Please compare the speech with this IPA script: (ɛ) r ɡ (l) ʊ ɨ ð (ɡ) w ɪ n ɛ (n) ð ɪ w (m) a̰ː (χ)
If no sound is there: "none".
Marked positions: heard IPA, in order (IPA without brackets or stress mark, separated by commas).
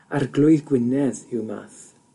a, l, ɡ, none, m, θ